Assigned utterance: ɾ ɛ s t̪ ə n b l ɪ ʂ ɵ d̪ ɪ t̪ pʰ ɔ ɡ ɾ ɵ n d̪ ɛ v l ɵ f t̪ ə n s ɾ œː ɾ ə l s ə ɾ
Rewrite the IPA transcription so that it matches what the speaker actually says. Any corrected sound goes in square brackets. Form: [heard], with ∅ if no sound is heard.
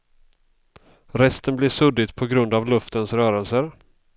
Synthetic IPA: ɾ ɛ s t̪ ə n b l ɪ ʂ ɵ d̪ ɪ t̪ pʰ ɔ ɡ ɾ ɵ n d̪ [a] v l ɵ f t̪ ə n s ɾ œː ɾ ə l s ə ɾ